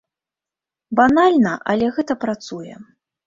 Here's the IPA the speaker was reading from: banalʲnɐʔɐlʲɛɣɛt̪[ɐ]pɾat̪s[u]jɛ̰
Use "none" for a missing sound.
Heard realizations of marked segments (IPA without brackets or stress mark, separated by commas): ɐ, u